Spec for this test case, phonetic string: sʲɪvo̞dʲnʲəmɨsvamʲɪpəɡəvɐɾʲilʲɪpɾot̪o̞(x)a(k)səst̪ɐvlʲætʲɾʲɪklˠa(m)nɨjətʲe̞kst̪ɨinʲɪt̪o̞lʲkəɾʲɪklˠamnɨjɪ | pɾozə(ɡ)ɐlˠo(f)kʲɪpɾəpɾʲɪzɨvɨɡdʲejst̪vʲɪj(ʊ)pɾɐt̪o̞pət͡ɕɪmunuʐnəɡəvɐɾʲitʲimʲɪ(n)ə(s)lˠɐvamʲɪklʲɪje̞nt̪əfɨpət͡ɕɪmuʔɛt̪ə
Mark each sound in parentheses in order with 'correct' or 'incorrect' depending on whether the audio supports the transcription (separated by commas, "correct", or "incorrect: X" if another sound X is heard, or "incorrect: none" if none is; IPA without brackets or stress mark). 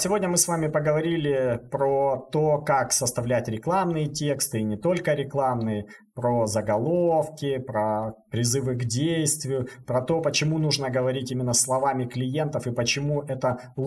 incorrect: k, correct, correct, correct, correct, correct, incorrect: nː, correct